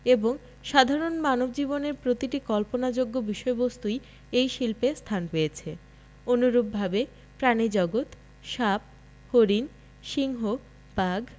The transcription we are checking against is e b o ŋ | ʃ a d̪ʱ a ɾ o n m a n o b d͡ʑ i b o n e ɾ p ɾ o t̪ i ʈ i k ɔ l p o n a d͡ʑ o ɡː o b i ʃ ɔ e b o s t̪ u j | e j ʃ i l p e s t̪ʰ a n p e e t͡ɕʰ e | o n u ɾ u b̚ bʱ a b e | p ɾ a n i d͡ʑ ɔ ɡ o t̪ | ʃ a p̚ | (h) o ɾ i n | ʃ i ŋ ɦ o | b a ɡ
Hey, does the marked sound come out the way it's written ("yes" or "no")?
yes